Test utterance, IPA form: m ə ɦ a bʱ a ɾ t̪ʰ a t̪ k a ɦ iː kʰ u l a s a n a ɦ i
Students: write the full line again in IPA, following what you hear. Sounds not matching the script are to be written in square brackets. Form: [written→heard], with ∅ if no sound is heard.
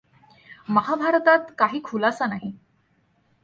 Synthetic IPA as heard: m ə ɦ a bʱ a ɾ [t̪ʰ→t̪] a t̪ k a ɦ iː kʰ u l a s a n a ɦ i